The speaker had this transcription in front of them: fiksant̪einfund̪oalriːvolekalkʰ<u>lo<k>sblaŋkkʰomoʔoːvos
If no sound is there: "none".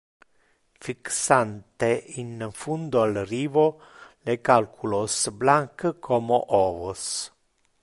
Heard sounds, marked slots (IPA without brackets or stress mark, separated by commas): u, none